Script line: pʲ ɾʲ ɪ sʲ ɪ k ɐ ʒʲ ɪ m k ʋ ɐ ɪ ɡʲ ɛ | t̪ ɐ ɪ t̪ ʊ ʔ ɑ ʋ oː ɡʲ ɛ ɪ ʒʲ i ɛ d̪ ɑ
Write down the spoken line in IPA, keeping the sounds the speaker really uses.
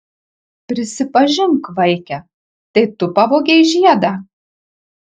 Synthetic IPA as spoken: pʲ ɾʲ ɪ sʲ ɪ p ɐ ʒʲ ɪ ŋ k ʋ ɐ ɪ kʲ ɛ | t̪ ɐ ɪ t̪ ʊ p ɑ ʋ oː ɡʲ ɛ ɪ ʒʲ i ɛ d̪ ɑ